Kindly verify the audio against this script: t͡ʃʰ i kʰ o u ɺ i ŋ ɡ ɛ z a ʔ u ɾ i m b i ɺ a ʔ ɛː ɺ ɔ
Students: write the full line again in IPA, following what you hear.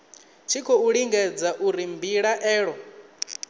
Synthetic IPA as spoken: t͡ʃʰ i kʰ ɔ u ɺ i ŋ ɡ ɛ d͡z a ʔ u ɾ i m b i ɺ a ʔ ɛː ɺ ɔ